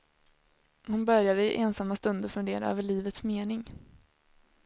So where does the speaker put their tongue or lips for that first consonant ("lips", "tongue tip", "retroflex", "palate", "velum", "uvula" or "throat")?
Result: throat